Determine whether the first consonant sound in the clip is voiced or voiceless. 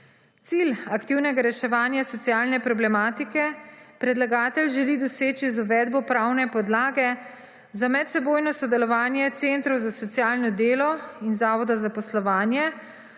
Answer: voiceless